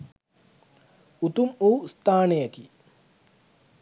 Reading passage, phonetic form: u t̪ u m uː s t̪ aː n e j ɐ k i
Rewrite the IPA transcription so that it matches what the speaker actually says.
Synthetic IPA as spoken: u t̪ u m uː s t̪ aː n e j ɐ k i

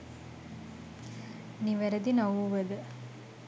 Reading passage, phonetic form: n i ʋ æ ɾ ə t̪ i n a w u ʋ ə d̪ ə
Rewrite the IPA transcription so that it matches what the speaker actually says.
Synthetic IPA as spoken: n i ʋ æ ɾ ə d̪ i n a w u ʋ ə d̪ ə

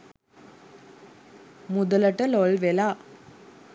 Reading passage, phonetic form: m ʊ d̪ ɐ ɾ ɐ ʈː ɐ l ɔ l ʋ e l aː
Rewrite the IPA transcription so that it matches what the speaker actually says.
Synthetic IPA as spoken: m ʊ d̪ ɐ l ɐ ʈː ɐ l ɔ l ʋ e l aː

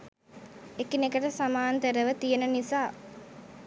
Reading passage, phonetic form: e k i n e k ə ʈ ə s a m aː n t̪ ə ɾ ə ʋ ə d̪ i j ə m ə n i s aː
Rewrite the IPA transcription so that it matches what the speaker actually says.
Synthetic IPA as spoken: e k i n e k ə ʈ ə s a m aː n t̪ ə ɾ ə ʋ ə t̪ i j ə n ə n i s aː

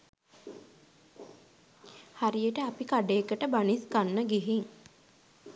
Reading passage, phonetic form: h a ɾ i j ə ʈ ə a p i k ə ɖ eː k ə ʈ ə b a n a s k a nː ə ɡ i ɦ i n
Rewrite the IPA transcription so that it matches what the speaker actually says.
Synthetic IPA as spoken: h a ɾ i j ə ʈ ə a p i k a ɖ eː k ə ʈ ə b a n i s k a nː ə ɡ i ɦ i ŋ

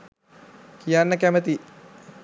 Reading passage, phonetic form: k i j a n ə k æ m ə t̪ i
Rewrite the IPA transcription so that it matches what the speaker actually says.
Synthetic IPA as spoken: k i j a nː ə k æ m ə t̪ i

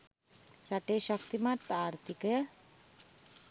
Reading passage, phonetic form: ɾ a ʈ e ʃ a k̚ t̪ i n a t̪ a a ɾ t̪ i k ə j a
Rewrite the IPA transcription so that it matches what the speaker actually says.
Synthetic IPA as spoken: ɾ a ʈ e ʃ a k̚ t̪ i m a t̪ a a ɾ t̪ i k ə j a

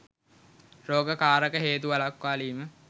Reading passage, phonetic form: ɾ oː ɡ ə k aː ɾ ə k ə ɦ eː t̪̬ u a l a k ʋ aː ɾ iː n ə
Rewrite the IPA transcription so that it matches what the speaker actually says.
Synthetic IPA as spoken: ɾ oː ɡ ə k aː ɾ ə k ə ɦ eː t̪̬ u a l a k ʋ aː l iː m ə

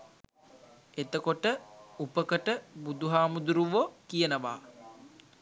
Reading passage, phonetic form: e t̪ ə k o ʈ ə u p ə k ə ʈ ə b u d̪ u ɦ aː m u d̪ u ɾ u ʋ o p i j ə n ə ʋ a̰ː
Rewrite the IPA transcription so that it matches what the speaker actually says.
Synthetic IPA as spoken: e t̪ ə k o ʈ ə u p ə k ə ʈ ə b u d̪ u ɦ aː m u d̪ u ɾ u ʋ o k i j ə n ə ʋ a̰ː

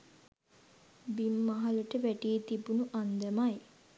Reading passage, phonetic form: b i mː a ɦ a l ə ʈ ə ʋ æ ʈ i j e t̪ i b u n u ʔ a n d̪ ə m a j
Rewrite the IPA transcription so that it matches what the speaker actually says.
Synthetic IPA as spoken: b i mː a ɦ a l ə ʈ ə ʋ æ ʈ i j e t̪ i b u n u ʔ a n d̪ ə m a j

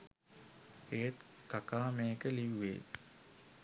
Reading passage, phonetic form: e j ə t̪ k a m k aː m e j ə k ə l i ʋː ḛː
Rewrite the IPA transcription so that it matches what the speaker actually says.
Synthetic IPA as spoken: e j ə t̪ k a k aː m e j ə k ə l i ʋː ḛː

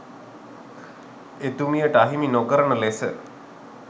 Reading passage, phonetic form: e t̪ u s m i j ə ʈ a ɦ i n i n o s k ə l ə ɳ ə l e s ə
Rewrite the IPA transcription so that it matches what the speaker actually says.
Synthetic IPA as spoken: e t̪ u m i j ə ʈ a ɦ i m i n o k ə ɾ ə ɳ ə l e s ə

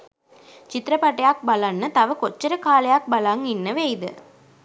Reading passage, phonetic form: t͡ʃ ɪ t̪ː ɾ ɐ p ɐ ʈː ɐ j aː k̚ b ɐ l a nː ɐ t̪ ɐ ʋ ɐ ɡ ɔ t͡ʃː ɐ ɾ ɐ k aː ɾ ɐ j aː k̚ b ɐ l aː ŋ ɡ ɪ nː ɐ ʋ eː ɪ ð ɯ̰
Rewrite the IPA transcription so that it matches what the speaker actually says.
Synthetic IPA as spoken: t͡ʃ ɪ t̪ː ɾ ɐ p ɐ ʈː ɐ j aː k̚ b ɐ l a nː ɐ t̪ ɐ ʋ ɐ k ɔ t͡ʃː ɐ ɾ ɐ k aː l ɐ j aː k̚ b ɐ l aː ŋ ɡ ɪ nː ɐ ʋ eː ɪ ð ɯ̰

